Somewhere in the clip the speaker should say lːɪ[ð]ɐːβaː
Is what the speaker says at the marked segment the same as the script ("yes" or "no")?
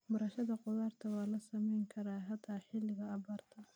no